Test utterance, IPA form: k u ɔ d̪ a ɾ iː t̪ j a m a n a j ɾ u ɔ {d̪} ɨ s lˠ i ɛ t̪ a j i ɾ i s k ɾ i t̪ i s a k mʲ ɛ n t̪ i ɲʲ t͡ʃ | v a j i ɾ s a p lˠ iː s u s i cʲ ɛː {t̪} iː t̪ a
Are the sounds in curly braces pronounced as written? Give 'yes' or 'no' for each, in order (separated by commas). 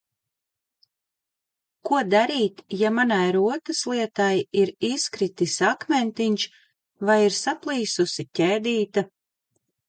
no, no